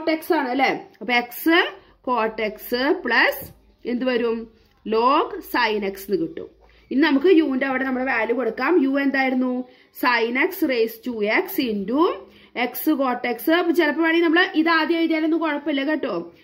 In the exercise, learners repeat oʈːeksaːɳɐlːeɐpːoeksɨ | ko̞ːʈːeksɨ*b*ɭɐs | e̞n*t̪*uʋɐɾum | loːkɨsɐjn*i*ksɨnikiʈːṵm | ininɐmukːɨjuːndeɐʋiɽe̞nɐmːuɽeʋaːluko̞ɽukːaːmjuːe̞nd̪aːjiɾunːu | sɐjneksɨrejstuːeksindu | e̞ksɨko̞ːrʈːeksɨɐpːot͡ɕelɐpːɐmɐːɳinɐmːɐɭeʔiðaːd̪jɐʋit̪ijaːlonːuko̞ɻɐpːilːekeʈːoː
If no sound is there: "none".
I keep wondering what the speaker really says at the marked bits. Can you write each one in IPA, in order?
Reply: p, d̪, e

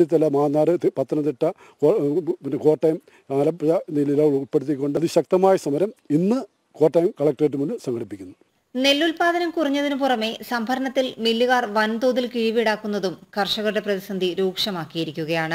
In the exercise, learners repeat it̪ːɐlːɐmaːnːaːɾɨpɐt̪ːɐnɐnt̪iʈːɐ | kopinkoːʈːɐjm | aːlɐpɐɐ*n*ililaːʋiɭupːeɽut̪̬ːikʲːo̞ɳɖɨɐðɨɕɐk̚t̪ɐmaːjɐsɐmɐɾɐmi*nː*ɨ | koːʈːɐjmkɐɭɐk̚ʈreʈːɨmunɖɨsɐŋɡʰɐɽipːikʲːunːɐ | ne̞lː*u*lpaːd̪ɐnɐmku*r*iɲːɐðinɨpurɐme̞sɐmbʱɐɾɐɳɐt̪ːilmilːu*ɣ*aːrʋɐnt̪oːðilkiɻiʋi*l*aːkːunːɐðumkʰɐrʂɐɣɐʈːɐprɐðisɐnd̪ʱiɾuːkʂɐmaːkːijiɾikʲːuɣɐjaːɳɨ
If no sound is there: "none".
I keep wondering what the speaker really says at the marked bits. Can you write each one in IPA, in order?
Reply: n, nː, u, r, ɣ, ɽ

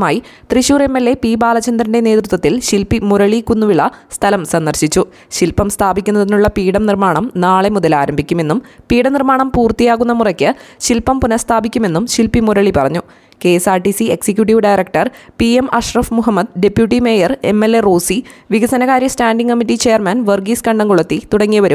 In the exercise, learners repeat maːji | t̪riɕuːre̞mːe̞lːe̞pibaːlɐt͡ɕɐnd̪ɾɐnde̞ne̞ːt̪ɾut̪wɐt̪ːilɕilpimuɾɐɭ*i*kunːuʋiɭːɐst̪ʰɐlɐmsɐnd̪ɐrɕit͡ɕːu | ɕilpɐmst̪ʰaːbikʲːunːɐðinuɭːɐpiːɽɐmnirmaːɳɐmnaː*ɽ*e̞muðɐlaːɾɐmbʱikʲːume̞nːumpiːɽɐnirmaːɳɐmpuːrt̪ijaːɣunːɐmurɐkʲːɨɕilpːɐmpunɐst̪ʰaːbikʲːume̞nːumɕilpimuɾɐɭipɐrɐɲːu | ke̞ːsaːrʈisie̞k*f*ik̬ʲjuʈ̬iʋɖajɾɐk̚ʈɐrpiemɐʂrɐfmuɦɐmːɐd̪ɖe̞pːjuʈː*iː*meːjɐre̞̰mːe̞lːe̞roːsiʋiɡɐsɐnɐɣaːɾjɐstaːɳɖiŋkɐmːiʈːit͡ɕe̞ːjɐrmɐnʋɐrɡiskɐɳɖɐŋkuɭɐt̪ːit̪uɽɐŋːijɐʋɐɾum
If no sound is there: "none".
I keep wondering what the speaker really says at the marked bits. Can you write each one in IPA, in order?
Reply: i, ɭ, s, i

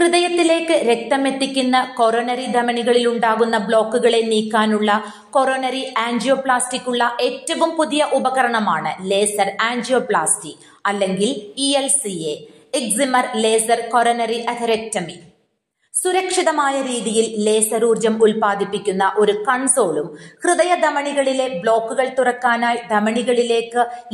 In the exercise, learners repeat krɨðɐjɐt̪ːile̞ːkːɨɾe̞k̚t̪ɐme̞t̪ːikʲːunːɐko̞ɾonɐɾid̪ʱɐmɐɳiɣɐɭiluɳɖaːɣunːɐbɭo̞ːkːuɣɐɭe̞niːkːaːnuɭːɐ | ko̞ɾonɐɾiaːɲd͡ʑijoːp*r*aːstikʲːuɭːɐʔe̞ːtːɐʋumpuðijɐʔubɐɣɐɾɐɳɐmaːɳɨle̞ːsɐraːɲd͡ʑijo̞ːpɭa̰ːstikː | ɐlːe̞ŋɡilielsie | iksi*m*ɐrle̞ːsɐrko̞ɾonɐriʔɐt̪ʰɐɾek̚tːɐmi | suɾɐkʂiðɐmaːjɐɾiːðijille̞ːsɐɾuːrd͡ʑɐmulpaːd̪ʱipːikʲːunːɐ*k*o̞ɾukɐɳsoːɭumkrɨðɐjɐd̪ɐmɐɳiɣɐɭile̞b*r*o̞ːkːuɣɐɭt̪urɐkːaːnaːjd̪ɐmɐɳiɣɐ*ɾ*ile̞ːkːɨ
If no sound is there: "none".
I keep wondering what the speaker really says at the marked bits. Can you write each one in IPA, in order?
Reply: ɭ, m, ʔ, ɭ, ɭ

